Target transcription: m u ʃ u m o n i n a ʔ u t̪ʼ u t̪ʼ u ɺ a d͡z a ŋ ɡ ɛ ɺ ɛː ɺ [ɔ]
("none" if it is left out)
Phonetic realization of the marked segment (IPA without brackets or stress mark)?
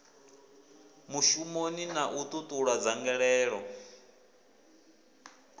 ɔ